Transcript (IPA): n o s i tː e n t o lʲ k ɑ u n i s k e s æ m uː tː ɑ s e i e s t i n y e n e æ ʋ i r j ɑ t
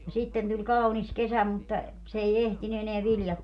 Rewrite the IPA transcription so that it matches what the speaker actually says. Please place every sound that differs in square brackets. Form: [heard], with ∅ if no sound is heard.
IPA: n o s i tː e n t [u] lʲ k ɑ u n i s k e s æ m [u] tː ɑ s e i e [h] t i n y e n e æ ʋ i [l] j ɑ t